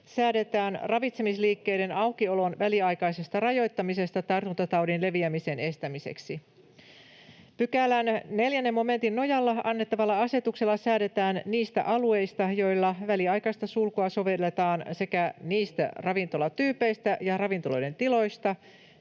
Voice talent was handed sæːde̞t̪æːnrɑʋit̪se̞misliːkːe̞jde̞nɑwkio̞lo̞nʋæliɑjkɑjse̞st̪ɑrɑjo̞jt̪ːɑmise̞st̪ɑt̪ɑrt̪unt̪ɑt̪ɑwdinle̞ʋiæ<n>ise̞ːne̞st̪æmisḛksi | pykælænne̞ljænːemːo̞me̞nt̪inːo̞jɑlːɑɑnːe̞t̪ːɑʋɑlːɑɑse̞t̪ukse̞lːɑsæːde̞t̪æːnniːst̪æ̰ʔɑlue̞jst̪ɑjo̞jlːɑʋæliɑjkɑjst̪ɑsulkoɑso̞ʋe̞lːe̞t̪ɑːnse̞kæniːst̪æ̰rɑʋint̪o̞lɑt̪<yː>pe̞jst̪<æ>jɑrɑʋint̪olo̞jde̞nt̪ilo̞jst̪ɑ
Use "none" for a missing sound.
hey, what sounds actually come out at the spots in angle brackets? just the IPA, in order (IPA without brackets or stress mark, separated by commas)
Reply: m, yː, æ